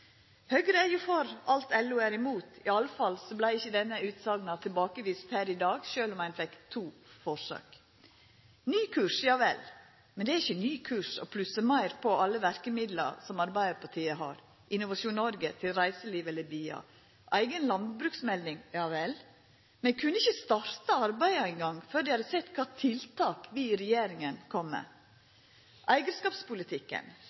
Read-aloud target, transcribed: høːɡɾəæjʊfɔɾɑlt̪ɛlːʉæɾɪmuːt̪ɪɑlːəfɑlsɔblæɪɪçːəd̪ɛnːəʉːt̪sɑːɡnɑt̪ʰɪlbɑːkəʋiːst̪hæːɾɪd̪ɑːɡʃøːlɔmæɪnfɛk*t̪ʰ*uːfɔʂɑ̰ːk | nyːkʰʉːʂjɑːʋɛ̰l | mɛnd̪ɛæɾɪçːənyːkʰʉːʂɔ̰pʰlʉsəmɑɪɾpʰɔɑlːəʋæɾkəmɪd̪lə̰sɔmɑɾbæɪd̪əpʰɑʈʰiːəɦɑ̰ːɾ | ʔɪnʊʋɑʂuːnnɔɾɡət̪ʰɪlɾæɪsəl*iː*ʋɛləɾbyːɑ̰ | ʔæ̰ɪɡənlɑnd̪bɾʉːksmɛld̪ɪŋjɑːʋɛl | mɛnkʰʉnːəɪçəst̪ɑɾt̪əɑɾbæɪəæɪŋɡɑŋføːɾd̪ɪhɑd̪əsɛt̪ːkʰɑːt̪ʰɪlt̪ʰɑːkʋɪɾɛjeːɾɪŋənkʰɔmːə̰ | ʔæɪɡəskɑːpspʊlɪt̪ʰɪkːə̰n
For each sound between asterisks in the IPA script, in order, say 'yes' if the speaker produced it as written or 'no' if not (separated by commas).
yes, yes